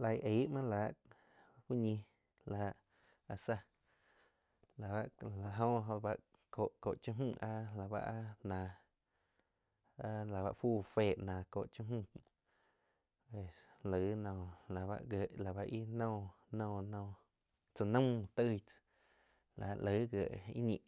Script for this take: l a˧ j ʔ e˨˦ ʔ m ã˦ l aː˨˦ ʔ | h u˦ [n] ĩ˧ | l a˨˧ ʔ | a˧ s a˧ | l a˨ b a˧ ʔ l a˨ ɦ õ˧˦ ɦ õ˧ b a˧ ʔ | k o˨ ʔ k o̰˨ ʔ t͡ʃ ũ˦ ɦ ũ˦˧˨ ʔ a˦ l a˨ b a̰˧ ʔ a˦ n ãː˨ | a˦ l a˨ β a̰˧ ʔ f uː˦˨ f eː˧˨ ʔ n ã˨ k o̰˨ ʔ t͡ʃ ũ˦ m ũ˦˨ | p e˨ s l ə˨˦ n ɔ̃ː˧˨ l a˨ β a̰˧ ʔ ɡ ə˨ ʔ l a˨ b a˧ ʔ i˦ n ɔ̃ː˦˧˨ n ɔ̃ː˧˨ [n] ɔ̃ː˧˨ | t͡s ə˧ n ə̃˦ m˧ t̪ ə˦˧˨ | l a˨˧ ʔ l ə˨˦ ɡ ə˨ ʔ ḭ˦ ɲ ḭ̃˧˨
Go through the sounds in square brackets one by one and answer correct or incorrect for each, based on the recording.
incorrect, correct

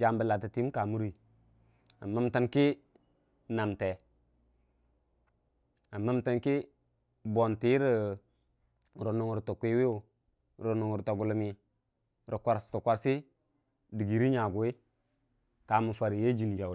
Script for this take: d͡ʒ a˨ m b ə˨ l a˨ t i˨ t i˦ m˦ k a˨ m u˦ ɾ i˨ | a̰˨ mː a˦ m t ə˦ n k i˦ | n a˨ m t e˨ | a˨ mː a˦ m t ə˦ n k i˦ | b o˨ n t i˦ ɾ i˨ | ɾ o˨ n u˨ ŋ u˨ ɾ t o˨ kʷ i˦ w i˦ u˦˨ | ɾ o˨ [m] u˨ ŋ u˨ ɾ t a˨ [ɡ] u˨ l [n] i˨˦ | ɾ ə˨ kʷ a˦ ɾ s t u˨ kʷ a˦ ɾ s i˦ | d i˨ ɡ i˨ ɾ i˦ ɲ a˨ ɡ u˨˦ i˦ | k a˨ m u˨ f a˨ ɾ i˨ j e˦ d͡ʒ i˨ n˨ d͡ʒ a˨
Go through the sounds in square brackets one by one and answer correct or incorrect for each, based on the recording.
incorrect, correct, incorrect

